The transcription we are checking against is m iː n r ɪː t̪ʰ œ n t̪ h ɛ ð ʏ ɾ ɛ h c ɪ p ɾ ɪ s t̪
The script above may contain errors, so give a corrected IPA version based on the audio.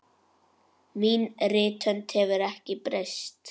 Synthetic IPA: m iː n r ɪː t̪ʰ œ n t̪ h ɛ v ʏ ɾ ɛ h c ɪ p ɾ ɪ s t̪